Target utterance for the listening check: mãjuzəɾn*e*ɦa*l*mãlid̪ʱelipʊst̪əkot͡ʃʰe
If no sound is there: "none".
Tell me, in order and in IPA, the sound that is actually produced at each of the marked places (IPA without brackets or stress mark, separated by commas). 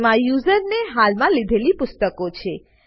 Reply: e, l